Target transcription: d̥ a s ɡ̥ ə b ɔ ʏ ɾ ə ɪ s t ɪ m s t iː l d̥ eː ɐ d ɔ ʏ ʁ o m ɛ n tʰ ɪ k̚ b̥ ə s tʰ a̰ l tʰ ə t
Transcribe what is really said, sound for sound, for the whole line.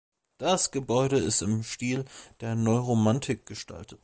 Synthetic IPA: d̥ a s ɡ̥ ə b ɔ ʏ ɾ ə ɪ s t ɪ m ʃ t iː l d̥ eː ɐ n ɔ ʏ ʁ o m a n tʰ ɪ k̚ ɡ̥ ə ʃ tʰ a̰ l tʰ ə t